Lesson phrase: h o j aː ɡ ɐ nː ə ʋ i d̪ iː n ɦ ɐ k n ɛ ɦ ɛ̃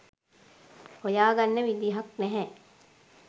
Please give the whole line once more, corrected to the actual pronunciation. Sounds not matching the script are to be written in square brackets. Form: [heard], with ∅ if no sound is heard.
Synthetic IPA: h o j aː ɡ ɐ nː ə ʋ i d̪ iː [∅] ɦ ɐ k n ɛ ɦ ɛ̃